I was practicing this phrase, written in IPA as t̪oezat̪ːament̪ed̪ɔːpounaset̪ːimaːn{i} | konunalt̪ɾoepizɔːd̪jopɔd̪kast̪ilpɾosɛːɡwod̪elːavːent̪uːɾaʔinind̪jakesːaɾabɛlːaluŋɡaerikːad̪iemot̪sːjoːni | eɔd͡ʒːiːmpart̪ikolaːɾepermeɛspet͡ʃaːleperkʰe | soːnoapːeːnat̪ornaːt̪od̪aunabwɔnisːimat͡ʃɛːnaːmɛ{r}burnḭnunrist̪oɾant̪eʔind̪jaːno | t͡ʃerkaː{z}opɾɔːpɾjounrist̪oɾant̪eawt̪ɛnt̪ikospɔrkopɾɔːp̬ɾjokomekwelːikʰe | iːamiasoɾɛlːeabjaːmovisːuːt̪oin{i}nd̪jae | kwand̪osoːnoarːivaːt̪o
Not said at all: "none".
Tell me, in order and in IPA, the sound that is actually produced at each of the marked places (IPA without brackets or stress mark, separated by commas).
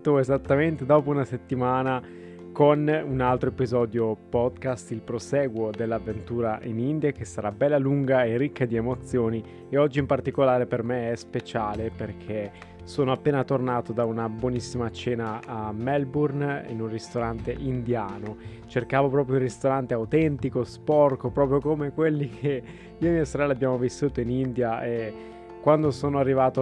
a, l, v, i